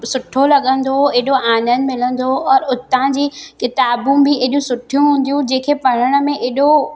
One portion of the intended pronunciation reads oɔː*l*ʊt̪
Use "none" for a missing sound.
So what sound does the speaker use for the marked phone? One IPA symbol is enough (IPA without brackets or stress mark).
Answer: ɾ